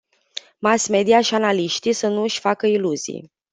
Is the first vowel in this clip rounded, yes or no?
no